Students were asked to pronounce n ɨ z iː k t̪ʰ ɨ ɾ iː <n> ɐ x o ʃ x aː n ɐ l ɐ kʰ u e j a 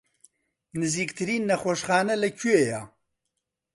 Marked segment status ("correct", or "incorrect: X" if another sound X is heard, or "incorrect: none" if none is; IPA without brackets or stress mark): incorrect: nː